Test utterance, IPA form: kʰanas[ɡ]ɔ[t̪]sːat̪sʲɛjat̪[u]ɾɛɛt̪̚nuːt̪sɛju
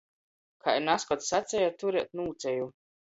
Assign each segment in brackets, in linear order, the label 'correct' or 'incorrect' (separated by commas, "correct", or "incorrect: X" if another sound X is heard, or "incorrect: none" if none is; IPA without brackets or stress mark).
incorrect: k, correct, correct